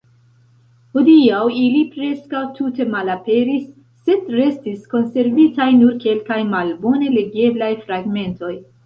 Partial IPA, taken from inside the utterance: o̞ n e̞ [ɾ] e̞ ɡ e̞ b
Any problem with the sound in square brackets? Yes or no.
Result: yes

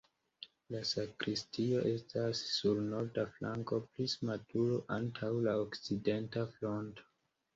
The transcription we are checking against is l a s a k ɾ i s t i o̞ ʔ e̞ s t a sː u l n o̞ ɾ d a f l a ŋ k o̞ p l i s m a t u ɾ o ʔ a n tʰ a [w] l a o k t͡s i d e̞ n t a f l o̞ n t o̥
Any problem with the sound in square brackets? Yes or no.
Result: no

